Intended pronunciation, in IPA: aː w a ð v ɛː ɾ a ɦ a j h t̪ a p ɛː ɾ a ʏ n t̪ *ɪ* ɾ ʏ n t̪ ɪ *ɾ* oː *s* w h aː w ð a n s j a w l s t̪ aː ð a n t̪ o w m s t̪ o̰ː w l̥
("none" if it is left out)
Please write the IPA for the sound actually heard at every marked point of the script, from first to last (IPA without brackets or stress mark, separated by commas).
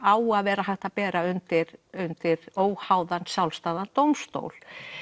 ɪ, ɾ, none